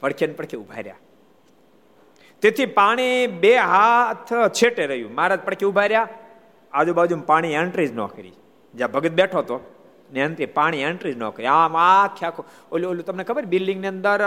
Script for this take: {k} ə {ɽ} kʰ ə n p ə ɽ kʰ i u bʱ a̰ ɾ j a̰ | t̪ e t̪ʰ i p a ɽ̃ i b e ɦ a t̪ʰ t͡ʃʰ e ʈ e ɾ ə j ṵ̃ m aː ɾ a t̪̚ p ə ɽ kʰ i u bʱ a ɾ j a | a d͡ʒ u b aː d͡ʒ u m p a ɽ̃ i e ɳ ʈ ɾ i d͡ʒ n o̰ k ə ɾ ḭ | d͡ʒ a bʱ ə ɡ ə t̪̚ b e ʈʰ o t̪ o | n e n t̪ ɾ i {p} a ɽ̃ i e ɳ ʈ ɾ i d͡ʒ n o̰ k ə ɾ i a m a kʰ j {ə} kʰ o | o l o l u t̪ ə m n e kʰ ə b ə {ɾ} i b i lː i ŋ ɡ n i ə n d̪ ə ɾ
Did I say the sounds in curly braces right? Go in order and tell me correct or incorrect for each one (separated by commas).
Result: incorrect, correct, correct, incorrect, correct